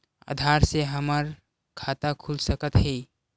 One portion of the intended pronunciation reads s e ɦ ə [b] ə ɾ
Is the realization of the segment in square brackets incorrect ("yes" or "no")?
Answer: yes